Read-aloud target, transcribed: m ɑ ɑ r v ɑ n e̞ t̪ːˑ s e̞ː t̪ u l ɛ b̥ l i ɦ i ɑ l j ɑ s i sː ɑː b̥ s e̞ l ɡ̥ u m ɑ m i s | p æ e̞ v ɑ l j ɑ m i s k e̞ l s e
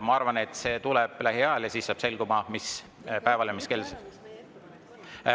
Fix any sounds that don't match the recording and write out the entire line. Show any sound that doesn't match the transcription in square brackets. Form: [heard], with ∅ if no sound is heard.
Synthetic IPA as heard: m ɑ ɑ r v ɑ n e̞ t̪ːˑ s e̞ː t̪ u l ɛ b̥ l [æ] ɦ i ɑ l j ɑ s i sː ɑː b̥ s e̞ l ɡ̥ u m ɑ m i s | p æ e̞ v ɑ l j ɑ m i s k e̞ l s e

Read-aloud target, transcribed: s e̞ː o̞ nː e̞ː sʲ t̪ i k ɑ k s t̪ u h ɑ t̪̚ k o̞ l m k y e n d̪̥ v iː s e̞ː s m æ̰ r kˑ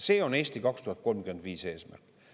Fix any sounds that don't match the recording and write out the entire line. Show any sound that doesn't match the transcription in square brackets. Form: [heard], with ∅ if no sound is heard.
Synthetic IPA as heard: s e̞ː o̞ [n] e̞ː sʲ t̪ i k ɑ k s t̪ u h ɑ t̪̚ k o̞ l m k y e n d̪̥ v iː s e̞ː s m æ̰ r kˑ

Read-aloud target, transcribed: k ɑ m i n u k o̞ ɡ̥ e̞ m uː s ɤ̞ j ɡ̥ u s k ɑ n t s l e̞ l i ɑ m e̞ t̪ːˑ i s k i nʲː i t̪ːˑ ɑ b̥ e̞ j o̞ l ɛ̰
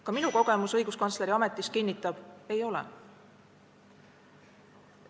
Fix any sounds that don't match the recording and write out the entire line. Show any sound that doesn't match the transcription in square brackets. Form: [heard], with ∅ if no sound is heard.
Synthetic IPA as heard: k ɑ m i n u k o̞ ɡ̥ e̞ m [u] s ɤ̞ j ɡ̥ u s k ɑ n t s l e̞ [ɾ] i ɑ m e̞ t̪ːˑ i s k i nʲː i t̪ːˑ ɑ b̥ e̞ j o̞ l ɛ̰

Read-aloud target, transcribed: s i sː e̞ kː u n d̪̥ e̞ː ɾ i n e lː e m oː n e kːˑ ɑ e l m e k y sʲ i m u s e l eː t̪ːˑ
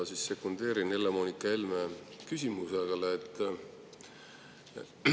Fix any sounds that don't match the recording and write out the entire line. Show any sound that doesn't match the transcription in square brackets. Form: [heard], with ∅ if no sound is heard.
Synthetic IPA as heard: s i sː e̞ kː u n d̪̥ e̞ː ɾ i n e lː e m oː n [i] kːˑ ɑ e l m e k y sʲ i m u s e l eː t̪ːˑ

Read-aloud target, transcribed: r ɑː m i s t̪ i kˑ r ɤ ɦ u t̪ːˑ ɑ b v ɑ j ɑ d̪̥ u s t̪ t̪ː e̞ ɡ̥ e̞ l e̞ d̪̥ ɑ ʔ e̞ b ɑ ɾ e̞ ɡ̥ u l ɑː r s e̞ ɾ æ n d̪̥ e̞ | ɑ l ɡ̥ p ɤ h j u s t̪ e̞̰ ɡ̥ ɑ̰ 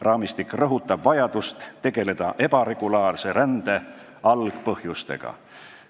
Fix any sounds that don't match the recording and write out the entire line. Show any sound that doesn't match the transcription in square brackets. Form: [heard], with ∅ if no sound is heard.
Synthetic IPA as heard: r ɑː m i s t̪ i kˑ r ɤ ɦ u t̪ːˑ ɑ b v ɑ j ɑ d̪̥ u s t̪ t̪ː e̞ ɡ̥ e̞ l e̞ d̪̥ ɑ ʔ e̞ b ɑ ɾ e̞ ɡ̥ u l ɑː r s e̞ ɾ æ n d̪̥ e̞ | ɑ l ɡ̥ p ɤ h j u s t̪ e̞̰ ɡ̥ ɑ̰

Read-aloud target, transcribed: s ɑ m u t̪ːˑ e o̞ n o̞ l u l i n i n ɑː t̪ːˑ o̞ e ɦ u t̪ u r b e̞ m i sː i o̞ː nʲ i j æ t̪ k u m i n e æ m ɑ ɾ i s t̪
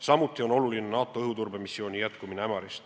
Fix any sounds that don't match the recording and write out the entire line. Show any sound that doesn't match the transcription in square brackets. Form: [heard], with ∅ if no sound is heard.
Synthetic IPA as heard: s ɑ m u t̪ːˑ [i] o̞ n o̞ l u l i n [e] n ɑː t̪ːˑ o̞ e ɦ u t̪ u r b e̞ m i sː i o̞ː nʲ i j æ t̪ k u m i n e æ m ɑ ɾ i s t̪

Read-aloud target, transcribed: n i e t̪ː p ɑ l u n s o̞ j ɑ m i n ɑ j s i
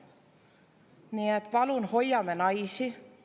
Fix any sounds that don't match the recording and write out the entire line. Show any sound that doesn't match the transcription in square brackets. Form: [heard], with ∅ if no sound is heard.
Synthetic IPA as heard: n i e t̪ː p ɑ l u n [h] o̞ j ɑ m [e] n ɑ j s i

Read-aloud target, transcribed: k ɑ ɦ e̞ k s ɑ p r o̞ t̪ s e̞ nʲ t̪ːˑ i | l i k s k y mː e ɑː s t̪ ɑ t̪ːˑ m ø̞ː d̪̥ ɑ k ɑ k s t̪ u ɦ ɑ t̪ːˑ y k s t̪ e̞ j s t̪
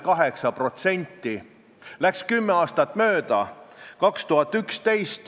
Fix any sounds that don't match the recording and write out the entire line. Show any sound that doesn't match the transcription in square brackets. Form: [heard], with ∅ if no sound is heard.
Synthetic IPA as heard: k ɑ ɦ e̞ k s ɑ p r o̞ t̪ s e̞ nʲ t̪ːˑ i | l [æ] k s k y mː e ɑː s t̪ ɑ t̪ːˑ m ø̞ː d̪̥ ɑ k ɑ k s t̪ u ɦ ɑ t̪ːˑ y k s t̪ e̞ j s t̪

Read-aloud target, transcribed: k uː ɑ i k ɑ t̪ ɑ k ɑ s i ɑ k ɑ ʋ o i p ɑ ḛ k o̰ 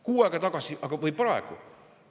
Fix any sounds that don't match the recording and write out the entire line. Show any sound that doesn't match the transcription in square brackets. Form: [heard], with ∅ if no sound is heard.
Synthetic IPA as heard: k uː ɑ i k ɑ t̪ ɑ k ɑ s i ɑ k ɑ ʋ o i p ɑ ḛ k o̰

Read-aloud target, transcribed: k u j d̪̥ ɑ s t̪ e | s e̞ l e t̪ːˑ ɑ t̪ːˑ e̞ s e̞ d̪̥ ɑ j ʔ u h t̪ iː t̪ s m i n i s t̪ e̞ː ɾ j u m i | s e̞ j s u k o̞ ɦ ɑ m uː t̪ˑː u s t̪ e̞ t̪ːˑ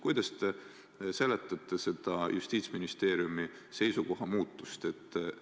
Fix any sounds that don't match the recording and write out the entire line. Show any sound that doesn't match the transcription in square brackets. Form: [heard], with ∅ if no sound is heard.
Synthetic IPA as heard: k u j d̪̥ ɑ s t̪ e | s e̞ l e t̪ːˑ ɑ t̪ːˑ e̞ s e̞ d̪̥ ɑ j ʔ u [s] t̪ iː t̪ s m i n i s t̪ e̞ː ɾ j u m i | s e̞ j s u k o̞ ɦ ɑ m uː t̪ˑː u s t̪ e̞ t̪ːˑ

